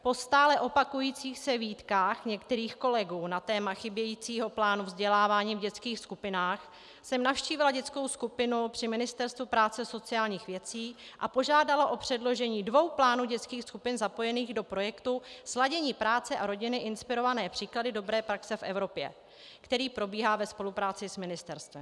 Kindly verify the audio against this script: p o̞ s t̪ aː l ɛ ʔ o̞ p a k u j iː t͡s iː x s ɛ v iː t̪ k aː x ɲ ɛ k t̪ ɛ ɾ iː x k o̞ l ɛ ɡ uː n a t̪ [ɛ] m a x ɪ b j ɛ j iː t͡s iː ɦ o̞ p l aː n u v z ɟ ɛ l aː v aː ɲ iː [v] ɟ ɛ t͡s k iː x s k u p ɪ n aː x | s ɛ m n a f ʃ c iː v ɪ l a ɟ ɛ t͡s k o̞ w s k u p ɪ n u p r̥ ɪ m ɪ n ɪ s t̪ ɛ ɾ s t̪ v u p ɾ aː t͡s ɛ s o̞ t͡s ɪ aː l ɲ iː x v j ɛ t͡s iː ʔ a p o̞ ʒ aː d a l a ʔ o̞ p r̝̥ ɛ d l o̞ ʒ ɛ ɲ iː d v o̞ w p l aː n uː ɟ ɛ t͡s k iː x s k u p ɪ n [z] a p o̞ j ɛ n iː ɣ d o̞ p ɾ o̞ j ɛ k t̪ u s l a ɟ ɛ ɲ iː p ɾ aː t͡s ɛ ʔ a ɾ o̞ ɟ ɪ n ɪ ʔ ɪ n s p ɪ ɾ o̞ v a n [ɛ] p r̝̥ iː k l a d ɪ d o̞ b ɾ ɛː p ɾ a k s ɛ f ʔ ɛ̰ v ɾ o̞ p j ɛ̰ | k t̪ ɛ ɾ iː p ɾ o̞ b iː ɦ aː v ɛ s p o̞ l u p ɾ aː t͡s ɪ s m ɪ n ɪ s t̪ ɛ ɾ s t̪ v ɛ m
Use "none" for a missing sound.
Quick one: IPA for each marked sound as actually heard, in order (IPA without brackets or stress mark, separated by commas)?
ɛː, v, z, ɛː